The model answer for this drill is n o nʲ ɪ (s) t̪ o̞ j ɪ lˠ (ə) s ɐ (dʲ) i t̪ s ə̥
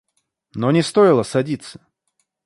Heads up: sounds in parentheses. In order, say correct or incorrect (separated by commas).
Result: correct, correct, correct